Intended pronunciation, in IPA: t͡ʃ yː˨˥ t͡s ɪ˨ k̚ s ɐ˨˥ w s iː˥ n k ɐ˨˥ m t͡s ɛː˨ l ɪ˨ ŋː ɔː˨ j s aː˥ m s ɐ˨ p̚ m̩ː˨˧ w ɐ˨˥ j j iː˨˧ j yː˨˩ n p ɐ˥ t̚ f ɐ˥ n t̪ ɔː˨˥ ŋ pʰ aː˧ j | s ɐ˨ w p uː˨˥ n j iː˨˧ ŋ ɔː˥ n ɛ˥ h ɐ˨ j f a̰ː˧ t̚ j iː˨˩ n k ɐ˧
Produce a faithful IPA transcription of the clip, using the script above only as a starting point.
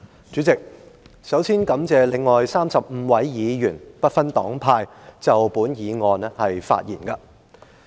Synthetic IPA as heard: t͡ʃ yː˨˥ t͡s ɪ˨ k̚ s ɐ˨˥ w s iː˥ n k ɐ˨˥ m t͡s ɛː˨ l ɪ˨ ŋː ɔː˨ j s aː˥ m s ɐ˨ p̚ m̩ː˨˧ w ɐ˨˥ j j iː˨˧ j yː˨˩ n p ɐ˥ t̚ f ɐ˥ n t̪ ɔː˨˥ ŋ pʰ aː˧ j | t͡s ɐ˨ w p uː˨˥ n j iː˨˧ ŋ ɔː˨˧ n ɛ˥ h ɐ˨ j f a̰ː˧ t̚ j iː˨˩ n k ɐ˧